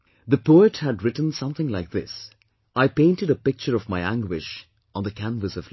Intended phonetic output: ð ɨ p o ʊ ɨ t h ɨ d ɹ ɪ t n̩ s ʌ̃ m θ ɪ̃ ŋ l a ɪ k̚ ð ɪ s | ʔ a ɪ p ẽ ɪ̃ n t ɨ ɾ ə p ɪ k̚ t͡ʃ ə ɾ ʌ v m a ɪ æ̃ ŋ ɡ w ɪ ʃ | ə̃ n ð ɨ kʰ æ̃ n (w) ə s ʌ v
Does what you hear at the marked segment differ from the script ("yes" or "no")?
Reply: yes